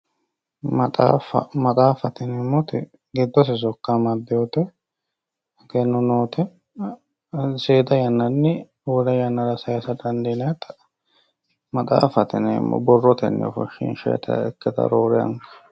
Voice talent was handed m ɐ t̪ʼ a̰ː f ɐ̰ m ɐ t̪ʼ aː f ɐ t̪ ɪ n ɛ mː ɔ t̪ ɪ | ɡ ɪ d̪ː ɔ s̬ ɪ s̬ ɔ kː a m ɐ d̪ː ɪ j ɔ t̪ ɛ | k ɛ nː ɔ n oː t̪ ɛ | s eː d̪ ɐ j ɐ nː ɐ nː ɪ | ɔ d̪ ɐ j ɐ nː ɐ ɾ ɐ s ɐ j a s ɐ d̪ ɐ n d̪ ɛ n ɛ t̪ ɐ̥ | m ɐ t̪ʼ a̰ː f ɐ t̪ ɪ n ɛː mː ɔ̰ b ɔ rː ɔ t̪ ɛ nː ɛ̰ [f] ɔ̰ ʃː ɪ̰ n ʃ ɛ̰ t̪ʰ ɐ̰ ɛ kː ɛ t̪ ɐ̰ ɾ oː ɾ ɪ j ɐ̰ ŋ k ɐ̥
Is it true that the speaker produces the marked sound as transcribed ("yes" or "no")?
yes